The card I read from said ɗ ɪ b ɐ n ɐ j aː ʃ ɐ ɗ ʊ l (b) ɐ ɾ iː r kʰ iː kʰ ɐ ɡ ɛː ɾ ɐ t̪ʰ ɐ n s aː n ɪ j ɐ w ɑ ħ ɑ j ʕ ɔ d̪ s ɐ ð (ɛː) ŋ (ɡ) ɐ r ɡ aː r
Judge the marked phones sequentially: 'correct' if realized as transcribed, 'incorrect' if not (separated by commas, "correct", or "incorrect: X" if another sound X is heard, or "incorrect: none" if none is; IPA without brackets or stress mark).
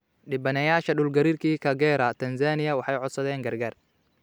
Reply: incorrect: ɡ, correct, correct